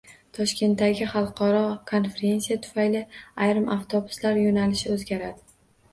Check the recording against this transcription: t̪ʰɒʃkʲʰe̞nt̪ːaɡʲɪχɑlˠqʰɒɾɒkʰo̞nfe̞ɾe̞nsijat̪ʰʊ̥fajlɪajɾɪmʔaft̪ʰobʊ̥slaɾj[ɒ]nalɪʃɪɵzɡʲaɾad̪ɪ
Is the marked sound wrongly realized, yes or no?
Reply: yes